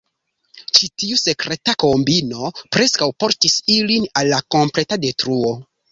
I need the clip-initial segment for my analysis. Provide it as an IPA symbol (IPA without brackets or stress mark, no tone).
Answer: t͡ʃ